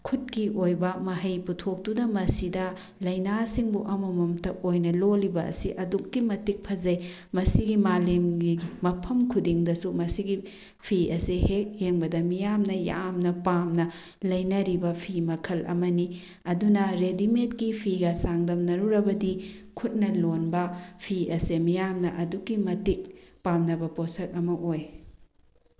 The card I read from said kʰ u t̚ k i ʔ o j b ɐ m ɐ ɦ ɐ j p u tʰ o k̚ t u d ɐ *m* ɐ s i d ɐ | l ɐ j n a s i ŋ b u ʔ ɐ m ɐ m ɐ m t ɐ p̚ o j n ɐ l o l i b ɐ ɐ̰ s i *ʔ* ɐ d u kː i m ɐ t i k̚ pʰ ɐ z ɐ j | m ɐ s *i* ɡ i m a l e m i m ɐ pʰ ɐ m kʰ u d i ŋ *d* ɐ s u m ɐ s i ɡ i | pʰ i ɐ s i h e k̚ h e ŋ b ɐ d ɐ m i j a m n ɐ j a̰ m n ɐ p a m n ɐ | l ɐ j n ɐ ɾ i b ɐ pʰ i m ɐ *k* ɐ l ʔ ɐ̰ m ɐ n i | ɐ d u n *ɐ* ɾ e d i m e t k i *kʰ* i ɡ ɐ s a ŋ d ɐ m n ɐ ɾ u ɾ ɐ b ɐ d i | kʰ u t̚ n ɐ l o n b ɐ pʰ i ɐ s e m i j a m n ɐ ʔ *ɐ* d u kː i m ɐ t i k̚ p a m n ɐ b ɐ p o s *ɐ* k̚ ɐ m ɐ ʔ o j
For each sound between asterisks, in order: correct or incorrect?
correct, correct, correct, correct, incorrect, correct, incorrect, correct, correct

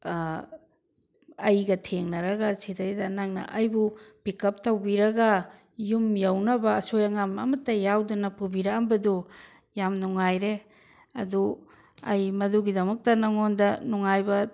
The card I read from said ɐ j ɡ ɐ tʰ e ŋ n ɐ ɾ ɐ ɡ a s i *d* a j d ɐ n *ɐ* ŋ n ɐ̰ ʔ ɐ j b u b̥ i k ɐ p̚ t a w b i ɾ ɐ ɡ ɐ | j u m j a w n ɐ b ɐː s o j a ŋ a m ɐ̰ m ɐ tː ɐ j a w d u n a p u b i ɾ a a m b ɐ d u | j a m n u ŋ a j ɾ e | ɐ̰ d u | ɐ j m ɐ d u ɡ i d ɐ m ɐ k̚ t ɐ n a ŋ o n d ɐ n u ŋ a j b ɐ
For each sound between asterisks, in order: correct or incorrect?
correct, incorrect

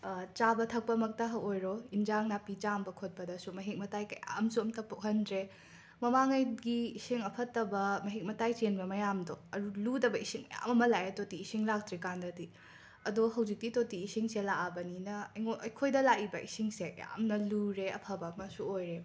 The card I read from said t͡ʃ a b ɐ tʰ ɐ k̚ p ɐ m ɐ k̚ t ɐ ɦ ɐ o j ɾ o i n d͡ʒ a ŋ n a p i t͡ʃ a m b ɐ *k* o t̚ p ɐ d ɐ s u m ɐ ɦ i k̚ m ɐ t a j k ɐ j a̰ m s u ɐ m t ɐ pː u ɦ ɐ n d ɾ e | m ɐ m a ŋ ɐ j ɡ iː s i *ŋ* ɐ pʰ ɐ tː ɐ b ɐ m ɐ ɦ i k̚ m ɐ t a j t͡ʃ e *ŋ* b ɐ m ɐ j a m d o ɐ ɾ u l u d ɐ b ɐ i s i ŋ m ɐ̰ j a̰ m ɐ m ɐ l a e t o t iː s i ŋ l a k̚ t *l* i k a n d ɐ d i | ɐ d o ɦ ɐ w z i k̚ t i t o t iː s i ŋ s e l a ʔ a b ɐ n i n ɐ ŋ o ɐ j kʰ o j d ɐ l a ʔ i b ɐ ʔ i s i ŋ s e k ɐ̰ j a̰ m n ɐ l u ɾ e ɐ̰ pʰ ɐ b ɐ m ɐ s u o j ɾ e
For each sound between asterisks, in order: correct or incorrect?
incorrect, correct, incorrect, incorrect

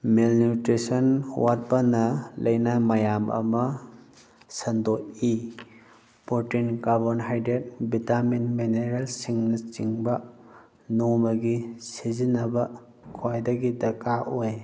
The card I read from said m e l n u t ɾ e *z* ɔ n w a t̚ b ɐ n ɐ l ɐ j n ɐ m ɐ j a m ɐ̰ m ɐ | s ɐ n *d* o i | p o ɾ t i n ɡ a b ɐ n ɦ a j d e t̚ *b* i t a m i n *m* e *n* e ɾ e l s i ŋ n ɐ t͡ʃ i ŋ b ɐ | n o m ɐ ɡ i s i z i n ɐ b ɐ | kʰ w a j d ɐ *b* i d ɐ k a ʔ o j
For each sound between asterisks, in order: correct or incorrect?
incorrect, correct, correct, correct, correct, incorrect

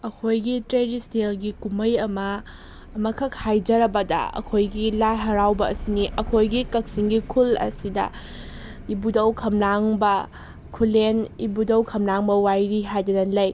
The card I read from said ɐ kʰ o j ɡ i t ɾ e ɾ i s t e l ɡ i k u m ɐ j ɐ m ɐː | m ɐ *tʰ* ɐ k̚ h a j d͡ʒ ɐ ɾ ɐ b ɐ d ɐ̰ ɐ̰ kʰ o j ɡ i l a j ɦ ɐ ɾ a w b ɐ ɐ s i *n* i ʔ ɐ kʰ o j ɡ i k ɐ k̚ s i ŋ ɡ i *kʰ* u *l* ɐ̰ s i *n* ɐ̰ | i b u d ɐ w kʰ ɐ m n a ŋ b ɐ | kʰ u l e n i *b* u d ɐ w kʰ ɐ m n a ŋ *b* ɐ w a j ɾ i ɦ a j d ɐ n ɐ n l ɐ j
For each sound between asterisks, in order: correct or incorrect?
incorrect, correct, correct, correct, incorrect, correct, correct

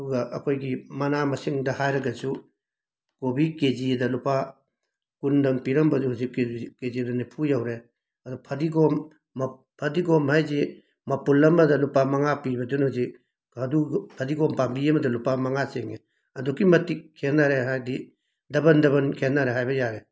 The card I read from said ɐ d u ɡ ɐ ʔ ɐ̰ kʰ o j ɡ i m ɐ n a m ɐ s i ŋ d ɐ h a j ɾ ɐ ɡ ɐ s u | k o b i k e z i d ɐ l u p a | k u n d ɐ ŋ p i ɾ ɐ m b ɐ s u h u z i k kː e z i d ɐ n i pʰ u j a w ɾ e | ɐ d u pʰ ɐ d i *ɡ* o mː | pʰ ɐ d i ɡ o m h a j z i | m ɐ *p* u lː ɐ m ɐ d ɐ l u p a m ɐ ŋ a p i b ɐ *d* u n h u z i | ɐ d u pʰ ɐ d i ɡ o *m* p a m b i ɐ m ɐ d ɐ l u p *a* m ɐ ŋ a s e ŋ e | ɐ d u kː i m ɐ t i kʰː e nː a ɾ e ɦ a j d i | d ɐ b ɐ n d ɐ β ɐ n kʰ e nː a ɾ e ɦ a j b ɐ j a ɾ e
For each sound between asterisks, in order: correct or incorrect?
correct, correct, correct, correct, correct

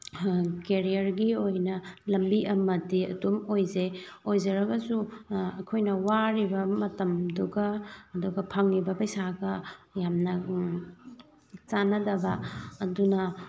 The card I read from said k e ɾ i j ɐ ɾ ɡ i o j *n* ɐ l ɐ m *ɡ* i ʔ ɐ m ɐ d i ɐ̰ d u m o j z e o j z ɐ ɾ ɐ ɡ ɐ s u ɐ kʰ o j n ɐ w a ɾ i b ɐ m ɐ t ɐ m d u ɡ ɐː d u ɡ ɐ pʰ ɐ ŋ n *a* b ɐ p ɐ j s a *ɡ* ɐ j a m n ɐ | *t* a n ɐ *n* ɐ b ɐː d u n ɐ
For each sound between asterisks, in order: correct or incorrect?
correct, incorrect, incorrect, correct, incorrect, incorrect

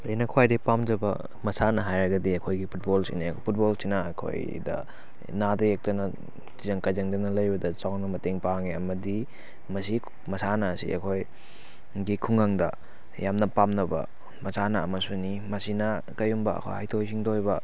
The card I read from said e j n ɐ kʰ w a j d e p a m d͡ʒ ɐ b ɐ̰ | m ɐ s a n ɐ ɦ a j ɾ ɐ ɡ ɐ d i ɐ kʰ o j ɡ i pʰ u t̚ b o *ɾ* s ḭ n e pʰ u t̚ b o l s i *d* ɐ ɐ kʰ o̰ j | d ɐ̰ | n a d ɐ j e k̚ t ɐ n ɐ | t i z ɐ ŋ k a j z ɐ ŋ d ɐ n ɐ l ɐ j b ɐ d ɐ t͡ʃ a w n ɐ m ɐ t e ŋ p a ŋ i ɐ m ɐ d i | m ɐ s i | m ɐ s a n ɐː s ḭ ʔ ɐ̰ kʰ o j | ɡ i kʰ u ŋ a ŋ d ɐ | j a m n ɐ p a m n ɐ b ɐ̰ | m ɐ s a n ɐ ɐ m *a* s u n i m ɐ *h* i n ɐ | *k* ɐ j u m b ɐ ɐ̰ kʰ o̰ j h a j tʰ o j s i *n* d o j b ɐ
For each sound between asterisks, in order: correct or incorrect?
incorrect, incorrect, incorrect, incorrect, correct, incorrect

